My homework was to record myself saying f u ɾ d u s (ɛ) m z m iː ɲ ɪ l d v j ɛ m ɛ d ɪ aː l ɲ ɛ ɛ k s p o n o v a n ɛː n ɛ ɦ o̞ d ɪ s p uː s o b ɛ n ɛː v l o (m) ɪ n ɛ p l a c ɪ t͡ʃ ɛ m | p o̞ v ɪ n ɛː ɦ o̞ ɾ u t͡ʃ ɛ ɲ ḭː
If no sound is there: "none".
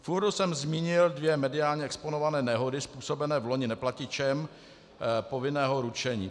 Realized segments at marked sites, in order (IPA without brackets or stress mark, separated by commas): ɛ, ɲ